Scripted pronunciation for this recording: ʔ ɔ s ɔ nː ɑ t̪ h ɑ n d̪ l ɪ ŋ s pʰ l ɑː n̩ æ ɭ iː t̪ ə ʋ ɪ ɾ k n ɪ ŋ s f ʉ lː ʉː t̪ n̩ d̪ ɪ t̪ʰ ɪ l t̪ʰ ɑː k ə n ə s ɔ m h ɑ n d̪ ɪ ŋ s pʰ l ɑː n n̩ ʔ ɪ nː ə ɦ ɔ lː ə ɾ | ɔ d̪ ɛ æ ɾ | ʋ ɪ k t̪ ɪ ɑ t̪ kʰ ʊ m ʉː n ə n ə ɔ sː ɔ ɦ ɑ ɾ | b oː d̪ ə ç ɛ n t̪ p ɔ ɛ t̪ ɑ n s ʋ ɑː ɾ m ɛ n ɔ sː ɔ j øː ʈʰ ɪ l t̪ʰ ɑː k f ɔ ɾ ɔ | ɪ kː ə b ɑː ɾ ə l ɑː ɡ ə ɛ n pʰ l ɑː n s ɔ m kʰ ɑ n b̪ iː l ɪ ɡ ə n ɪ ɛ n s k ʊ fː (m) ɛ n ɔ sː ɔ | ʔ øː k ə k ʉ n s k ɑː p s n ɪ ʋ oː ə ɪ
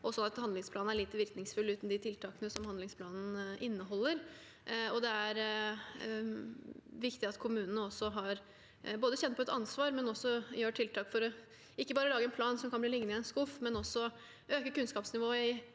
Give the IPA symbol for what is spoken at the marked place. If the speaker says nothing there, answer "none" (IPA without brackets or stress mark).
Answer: m